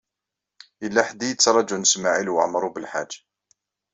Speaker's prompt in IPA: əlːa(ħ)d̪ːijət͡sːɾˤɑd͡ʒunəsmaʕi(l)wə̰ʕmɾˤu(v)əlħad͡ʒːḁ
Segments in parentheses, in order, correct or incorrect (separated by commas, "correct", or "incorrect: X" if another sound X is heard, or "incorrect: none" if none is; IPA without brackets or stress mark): correct, correct, incorrect: b